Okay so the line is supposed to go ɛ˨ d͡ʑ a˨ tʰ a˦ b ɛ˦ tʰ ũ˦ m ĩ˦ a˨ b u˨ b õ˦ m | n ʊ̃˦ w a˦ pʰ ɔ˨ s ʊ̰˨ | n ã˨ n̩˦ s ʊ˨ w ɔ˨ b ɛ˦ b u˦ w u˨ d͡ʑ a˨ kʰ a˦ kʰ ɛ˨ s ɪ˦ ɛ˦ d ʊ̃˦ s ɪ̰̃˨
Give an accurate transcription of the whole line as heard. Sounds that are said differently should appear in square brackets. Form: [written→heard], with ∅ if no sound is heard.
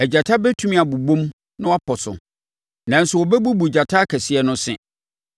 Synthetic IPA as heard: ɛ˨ d͡ʑ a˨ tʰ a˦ b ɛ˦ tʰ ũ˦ m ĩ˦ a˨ b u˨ b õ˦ m | n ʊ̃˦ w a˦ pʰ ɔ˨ s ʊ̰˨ | n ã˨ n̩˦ s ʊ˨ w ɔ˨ b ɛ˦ b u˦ [w→b] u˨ d͡ʑ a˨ [kʰ→tʰ] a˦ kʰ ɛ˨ s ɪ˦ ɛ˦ [d→n] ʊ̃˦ s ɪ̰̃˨